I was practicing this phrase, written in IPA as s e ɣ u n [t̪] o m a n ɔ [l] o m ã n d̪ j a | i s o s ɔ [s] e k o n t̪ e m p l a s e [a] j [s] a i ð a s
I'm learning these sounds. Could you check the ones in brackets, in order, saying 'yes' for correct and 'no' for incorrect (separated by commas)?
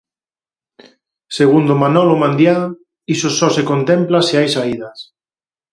no, yes, yes, yes, yes